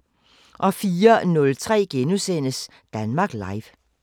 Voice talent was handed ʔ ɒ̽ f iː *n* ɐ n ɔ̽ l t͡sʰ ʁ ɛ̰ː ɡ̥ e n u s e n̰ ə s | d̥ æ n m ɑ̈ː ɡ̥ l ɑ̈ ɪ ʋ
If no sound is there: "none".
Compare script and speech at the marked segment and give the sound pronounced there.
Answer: none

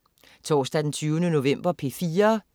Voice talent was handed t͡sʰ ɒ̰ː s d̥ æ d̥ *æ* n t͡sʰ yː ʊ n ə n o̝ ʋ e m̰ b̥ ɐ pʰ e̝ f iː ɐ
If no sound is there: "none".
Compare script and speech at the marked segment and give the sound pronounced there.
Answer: e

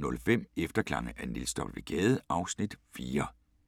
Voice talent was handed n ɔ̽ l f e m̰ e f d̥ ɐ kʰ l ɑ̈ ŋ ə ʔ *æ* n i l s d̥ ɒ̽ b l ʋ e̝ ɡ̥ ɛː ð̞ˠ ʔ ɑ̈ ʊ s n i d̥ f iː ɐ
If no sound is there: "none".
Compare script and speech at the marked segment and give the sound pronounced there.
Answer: æ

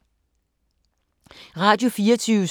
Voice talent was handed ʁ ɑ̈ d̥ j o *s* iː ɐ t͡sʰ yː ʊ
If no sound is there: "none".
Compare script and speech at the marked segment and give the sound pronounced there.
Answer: f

